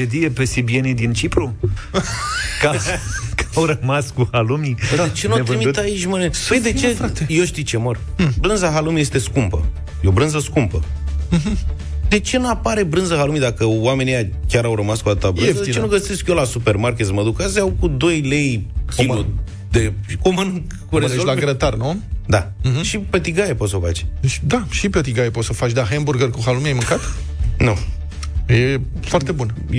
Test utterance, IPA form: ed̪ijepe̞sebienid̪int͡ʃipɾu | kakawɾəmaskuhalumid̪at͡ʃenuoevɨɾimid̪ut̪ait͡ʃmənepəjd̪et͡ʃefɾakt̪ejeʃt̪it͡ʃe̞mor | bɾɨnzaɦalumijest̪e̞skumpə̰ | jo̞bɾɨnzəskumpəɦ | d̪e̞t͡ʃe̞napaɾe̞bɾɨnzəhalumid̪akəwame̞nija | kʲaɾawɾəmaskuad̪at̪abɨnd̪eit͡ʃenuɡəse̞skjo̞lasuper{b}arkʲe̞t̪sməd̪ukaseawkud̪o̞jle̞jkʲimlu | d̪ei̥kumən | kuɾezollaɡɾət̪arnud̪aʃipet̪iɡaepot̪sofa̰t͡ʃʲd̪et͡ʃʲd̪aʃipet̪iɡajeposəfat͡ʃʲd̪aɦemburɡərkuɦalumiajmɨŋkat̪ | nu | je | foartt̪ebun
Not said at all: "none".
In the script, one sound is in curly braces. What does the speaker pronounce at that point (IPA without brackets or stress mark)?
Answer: m